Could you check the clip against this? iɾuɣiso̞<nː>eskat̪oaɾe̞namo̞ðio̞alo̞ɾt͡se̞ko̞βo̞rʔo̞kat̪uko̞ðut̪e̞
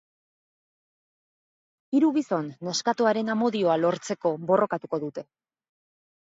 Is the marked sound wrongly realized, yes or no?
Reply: no